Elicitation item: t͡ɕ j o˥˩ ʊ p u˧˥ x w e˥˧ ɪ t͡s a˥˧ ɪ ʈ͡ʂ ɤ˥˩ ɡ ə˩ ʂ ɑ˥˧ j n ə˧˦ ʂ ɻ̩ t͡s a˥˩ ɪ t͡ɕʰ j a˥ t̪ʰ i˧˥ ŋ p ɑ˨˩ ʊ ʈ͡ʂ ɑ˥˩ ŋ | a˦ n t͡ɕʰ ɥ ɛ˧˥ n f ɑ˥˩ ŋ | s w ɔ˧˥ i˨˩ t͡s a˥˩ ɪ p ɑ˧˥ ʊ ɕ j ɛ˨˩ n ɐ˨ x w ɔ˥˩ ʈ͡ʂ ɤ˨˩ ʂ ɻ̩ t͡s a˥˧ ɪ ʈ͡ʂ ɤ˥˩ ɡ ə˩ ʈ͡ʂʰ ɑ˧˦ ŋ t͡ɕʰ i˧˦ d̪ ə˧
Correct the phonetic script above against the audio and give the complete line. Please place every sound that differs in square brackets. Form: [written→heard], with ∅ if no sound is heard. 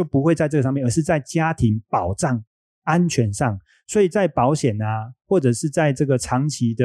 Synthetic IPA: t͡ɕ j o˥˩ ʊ p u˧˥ x w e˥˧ ɪ t͡s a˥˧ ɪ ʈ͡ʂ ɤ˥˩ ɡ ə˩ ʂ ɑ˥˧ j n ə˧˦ ʂ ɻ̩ t͡s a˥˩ ɪ [t͡ɕʰ→t͡ɕ] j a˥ t̪ʰ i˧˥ ŋ p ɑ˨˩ ʊ ʈ͡ʂ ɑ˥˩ ŋ | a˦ n t͡ɕʰ ɥ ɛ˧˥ n [f→ʂ] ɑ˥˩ ŋ | s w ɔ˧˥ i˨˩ t͡s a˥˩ ɪ p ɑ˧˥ ʊ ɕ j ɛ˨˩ n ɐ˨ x w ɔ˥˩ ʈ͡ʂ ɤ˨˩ ʂ ɻ̩ t͡s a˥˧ ɪ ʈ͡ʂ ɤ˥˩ ɡ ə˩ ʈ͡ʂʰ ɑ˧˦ ŋ t͡ɕʰ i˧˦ d̪ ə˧